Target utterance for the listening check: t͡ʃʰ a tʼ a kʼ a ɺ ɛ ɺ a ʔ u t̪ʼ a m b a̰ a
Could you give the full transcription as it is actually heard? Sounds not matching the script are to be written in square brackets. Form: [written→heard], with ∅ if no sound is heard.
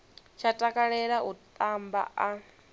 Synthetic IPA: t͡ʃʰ a tʼ a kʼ a ɺ ɛ ɺ a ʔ u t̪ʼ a m b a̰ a